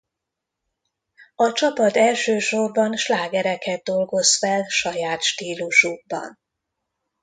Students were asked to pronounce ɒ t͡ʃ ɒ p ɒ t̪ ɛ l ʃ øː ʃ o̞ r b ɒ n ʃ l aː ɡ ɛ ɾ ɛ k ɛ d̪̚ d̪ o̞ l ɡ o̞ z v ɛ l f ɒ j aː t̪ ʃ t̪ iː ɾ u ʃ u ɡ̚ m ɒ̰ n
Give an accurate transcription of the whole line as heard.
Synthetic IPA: ɒ t͡ʃ ɒ p ɒ t̪ ɛ l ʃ øː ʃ o̞ r b ɒ n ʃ l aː ɡ ɛ ɾ ɛ k ɛ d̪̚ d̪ o̞ l ɡ o̞ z f ɛ l ʃ ɒ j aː t̪ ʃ t̪ iː l u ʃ u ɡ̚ b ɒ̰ n